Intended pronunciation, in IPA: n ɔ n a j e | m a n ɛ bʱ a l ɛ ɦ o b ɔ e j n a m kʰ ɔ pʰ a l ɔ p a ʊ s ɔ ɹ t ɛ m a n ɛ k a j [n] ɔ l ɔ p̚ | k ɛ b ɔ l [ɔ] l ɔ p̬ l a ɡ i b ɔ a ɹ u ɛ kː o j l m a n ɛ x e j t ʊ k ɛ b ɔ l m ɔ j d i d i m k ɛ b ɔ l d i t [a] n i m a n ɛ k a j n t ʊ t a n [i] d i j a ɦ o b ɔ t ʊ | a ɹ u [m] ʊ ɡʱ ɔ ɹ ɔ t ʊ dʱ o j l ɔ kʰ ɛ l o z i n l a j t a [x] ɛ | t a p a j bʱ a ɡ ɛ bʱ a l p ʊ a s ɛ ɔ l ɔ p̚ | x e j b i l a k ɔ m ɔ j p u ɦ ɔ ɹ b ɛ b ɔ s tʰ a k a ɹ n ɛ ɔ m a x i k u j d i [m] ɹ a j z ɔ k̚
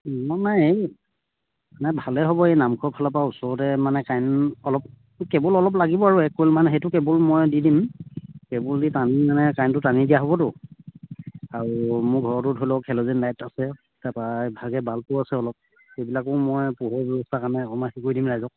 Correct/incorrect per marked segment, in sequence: correct, correct, correct, correct, correct, incorrect, correct

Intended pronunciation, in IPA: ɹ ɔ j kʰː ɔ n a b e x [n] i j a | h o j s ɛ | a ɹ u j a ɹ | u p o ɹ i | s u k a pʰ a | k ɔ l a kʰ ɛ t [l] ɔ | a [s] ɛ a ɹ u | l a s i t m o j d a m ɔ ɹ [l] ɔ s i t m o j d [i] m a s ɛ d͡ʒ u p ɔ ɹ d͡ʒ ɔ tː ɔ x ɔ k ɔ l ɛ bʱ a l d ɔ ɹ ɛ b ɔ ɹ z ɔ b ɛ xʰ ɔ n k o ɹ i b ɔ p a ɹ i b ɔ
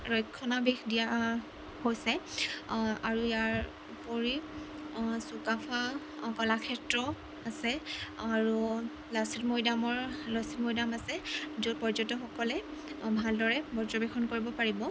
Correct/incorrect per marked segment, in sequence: incorrect, incorrect, correct, correct, incorrect

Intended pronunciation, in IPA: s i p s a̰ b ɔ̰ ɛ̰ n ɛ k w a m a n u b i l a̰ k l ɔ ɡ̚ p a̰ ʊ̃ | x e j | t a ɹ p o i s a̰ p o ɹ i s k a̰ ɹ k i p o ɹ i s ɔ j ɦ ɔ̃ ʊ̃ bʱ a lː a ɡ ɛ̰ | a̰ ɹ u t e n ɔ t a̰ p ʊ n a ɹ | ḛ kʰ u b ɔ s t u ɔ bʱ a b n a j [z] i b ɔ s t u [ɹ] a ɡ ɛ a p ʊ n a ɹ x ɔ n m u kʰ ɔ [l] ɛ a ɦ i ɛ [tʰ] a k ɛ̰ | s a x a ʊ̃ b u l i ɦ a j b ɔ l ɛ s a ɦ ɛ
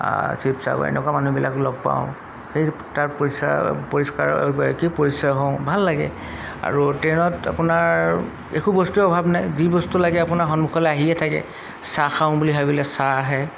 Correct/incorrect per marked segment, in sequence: correct, incorrect, correct, correct

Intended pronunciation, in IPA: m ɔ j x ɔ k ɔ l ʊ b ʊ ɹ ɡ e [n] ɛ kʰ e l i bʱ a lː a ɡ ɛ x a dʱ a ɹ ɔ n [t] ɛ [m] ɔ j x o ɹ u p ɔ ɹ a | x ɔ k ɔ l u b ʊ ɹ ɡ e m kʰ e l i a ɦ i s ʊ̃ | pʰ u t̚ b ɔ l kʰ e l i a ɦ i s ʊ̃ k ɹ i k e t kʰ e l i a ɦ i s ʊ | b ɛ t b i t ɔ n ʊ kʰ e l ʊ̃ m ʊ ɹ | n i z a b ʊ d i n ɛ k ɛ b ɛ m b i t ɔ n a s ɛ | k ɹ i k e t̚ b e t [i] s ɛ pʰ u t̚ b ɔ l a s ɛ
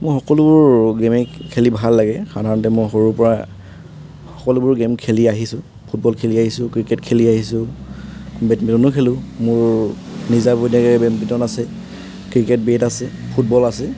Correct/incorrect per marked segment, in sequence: incorrect, correct, correct, incorrect

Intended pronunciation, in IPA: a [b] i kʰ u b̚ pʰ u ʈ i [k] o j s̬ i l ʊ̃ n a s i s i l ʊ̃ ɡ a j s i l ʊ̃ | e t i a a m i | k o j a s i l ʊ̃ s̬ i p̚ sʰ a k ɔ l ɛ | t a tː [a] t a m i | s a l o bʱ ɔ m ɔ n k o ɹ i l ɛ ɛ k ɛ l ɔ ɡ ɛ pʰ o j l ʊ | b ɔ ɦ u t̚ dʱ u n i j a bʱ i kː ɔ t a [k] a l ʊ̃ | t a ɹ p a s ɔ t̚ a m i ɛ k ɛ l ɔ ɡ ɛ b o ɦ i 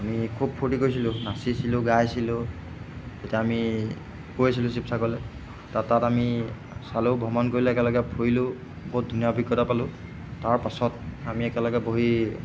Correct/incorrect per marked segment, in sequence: incorrect, correct, correct, incorrect

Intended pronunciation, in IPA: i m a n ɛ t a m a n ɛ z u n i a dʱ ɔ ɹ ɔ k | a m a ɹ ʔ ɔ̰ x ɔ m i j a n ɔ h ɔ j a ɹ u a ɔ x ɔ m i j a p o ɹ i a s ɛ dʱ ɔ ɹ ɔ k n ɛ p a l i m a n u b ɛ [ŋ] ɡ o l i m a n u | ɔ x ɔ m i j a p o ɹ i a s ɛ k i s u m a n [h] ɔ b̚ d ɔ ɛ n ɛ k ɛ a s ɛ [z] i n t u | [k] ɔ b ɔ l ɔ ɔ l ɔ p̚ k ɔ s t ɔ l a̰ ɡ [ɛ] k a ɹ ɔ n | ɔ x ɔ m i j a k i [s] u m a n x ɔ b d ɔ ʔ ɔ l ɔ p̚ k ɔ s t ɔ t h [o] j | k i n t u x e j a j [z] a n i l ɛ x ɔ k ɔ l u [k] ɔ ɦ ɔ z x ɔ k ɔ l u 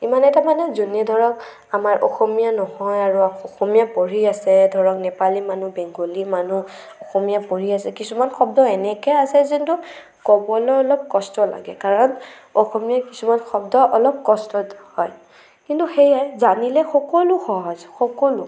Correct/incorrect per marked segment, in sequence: correct, incorrect, correct, correct, correct, correct, incorrect, correct, incorrect

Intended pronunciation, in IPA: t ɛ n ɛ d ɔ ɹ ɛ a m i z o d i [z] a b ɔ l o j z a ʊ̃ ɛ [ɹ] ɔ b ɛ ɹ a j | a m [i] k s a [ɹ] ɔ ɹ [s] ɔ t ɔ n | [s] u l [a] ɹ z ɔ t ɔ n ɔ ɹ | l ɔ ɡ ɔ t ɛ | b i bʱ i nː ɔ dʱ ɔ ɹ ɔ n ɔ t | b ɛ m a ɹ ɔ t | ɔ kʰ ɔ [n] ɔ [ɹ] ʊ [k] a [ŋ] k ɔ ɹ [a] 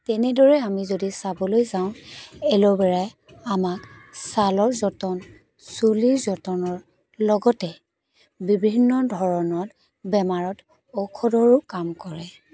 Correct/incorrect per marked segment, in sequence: incorrect, incorrect, incorrect, incorrect, incorrect, correct, incorrect, incorrect, correct, correct, incorrect, incorrect

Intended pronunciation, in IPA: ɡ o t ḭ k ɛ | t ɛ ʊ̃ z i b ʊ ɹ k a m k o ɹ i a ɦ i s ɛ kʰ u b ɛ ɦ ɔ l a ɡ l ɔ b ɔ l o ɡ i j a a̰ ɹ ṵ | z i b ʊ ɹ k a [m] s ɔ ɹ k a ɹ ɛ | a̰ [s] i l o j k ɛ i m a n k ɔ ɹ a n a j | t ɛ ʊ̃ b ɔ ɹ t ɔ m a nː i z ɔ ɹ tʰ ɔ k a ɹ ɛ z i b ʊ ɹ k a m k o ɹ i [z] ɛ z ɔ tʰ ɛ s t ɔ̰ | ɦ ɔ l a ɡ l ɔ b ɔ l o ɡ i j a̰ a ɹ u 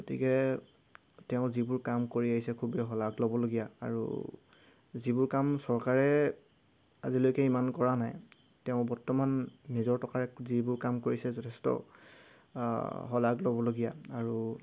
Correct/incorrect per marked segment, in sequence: correct, incorrect, incorrect

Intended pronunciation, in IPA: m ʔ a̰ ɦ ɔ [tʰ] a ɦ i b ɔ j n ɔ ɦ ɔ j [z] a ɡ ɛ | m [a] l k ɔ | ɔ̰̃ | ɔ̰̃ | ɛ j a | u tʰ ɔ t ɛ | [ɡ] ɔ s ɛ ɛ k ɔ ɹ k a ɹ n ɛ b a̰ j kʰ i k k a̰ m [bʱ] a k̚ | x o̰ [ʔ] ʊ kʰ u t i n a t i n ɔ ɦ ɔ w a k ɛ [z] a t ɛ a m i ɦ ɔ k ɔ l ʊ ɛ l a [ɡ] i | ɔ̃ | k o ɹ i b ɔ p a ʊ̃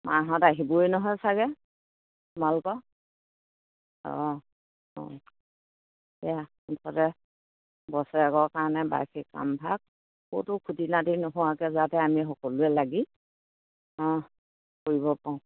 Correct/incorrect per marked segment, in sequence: incorrect, incorrect, correct, incorrect, correct, incorrect, correct, correct

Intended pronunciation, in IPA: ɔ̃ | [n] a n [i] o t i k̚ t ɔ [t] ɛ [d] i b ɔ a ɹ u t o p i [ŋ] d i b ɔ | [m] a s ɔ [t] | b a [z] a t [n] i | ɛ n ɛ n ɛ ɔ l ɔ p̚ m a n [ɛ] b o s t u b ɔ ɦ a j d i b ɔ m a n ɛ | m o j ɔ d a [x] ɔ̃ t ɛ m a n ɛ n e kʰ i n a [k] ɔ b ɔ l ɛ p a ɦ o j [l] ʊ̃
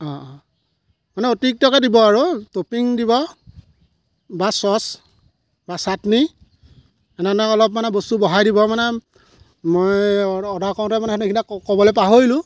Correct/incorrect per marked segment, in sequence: incorrect, incorrect, incorrect, correct, correct, incorrect, incorrect, incorrect, correct, correct, incorrect, correct, correct

